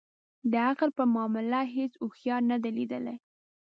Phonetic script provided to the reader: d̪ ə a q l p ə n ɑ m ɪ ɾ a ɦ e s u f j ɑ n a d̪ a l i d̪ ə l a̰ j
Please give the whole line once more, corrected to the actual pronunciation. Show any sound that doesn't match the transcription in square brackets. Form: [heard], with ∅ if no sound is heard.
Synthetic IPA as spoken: d̪ ə a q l p ə [m] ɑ m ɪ [l] a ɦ e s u [x] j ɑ n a d̪ a l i d̪ ə l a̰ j